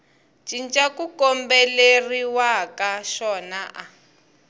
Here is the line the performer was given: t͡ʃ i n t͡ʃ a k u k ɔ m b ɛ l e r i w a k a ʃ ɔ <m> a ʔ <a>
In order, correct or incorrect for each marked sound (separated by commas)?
incorrect, correct